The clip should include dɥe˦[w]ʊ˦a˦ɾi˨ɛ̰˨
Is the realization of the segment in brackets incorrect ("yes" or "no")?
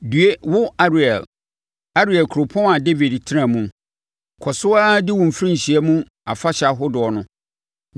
no